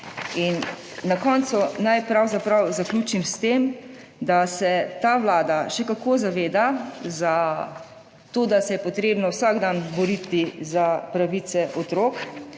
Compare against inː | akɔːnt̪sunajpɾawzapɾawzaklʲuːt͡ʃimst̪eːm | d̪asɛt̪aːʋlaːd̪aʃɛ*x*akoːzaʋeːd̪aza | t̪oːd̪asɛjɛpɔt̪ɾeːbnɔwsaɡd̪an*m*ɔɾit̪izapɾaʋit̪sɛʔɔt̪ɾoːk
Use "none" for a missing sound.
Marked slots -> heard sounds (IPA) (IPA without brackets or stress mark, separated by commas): k, b